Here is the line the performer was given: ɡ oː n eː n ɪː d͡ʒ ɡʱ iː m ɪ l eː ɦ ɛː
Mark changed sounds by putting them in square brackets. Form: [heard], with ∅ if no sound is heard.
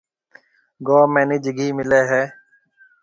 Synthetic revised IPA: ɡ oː [m] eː n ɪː d͡ʒ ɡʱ iː m ɪ l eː ɦ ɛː